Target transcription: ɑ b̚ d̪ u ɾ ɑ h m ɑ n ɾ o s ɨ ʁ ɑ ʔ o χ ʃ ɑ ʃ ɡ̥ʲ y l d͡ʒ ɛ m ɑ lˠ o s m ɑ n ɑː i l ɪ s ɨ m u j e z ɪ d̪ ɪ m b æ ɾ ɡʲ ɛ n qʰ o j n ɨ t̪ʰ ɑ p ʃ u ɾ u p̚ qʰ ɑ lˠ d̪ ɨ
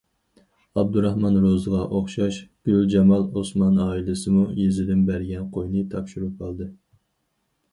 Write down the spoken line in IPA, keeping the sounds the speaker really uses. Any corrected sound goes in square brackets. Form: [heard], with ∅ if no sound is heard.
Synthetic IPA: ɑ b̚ d̪ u ɾ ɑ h m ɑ n ɾ o [z] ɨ ʁ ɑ ʔ o χ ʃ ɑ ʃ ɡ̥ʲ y l d͡ʒ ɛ m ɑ lˠ o s m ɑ n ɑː i l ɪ s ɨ m u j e z ɪ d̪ ɪ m b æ ɾ ɡʲ ɛ n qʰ o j n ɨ t̪ʰ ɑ p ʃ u ɾ u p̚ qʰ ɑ lˠ d̪ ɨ